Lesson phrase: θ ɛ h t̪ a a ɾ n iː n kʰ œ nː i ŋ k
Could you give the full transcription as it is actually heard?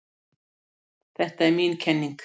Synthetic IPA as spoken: θ ɛ h t̪ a ɛ ɾ m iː n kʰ ɛ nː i ŋ k